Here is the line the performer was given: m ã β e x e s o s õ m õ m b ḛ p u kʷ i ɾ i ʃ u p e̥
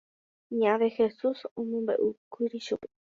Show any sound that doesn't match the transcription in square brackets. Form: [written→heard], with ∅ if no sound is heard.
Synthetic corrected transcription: [m→ɲ] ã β e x e s [o→u] s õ m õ m b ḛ [p→ʔ] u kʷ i ɾ i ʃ u p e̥